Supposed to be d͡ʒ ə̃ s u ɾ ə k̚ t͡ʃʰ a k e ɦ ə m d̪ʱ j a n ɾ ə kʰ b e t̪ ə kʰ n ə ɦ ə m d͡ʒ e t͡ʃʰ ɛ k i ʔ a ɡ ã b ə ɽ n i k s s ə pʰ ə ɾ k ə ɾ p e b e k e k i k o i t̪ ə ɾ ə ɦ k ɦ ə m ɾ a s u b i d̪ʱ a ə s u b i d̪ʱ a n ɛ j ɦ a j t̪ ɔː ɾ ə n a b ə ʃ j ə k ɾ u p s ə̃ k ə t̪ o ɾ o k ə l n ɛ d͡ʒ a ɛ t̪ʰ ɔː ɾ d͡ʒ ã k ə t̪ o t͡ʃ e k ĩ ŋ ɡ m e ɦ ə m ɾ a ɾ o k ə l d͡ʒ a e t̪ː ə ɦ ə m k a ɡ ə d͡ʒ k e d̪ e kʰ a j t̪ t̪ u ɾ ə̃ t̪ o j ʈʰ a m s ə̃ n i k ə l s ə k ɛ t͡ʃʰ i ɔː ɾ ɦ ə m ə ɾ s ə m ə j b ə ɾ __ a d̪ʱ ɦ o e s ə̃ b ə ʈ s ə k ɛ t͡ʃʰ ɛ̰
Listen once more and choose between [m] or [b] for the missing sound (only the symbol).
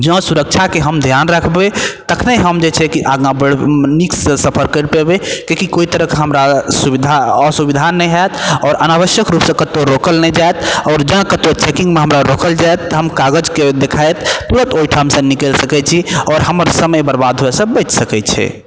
b